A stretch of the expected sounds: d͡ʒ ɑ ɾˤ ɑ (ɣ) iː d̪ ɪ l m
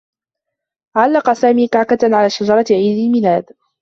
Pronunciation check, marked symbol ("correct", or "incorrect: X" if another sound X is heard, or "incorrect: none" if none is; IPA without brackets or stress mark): incorrect: ʕ